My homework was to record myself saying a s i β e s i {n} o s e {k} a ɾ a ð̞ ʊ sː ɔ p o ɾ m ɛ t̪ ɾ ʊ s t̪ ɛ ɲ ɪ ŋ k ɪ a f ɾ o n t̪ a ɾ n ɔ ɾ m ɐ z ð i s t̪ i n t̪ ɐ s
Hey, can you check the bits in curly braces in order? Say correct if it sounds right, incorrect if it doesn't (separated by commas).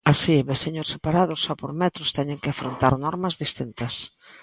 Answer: incorrect, incorrect